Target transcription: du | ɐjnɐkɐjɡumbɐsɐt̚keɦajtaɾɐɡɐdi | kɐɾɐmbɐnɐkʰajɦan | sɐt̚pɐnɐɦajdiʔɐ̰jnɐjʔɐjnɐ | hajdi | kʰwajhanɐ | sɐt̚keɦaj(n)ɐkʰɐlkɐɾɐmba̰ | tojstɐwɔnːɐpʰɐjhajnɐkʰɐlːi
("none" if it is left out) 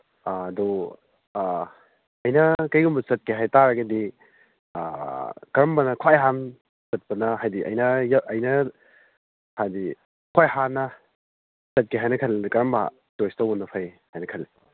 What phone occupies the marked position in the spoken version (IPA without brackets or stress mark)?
n